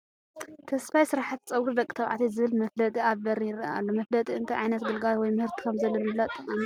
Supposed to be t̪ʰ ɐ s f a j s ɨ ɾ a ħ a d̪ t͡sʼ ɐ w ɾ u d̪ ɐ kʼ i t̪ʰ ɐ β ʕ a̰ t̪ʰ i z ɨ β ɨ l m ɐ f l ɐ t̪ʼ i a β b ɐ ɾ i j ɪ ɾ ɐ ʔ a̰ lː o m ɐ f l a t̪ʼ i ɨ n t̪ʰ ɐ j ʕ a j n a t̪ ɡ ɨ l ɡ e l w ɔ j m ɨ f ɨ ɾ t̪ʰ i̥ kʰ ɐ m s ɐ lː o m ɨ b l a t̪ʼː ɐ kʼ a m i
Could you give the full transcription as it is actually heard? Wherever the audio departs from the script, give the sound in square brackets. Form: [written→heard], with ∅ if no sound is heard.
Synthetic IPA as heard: t̪ʰ ɐ s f a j s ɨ ɾ a ħ a [d̪→t̪] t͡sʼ ɐ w ɾ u d̪ ɐ kʼ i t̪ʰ ɐ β ʕ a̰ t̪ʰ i z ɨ β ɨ l m ɐ f l ɐ t̪ʼ i a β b ɐ ɾ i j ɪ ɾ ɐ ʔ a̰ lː o m ɐ f l [a→ɐ] t̪ʼ i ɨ n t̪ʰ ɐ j ʕ a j n [a→ɐ] t̪ ɡ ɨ l ɡ [e→a] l w ɔ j m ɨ [f→h] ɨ ɾ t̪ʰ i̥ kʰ ɐ m [s→z] ɐ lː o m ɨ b l a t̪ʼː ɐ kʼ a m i